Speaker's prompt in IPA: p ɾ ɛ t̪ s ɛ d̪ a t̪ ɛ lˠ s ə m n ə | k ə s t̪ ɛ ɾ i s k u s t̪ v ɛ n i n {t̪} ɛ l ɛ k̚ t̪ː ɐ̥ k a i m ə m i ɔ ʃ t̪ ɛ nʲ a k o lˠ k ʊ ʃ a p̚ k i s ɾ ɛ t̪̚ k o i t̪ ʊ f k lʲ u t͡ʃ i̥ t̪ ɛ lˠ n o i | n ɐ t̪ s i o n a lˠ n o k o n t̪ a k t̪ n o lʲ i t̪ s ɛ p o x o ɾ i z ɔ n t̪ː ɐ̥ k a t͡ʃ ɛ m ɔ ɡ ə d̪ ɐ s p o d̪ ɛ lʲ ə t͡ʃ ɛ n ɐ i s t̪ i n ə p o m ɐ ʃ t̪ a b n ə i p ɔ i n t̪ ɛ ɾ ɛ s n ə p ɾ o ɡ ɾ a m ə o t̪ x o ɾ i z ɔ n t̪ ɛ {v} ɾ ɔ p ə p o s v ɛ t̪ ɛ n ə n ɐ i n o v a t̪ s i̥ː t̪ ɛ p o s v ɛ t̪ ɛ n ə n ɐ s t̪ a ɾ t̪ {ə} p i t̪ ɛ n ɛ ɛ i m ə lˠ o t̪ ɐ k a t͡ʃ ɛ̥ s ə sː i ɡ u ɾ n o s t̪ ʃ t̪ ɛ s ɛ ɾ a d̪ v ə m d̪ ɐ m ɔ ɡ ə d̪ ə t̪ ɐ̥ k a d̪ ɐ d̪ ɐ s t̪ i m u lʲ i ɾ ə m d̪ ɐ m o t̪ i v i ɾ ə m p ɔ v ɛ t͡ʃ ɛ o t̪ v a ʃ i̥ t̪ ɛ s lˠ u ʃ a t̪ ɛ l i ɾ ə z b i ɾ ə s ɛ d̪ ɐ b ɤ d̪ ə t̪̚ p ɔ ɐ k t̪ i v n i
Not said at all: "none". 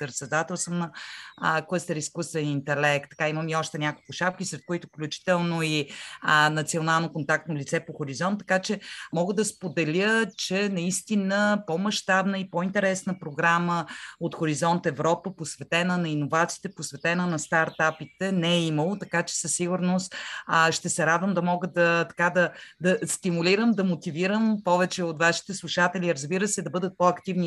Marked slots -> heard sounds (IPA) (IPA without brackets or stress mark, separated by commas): t̪, v, a